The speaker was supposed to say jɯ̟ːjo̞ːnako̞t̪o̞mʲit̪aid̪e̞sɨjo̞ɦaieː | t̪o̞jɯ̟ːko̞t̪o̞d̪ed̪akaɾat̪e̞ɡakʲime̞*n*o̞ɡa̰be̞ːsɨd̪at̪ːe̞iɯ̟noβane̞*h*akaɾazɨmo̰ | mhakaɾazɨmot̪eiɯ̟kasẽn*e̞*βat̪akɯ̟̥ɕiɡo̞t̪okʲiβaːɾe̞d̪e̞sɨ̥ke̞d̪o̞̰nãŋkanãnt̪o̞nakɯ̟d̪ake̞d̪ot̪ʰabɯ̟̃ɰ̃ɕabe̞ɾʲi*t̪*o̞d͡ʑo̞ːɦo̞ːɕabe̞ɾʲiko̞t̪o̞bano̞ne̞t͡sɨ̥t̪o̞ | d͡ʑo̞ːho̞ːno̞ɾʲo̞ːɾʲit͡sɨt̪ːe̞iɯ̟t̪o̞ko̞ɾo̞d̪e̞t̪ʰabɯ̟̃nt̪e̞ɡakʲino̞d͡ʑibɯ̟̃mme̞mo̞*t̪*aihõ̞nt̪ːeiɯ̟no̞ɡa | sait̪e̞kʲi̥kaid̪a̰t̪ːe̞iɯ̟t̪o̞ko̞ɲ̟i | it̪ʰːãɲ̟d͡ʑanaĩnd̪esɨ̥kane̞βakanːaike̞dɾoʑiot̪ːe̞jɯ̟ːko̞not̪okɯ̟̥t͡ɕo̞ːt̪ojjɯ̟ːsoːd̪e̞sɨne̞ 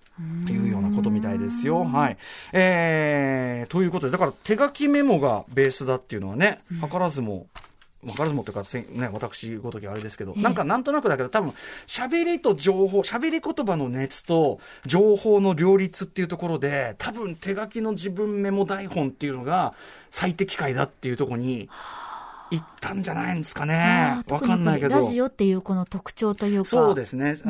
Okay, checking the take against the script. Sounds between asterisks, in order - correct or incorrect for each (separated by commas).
incorrect, correct, correct, correct, incorrect